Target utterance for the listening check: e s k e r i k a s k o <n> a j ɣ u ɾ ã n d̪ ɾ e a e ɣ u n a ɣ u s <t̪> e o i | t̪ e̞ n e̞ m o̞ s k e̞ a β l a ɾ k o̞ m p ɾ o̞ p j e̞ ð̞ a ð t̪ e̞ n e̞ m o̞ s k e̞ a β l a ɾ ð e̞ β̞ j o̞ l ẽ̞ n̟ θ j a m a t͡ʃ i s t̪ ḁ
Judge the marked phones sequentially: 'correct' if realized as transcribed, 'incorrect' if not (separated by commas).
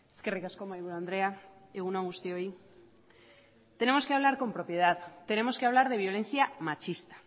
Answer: incorrect, correct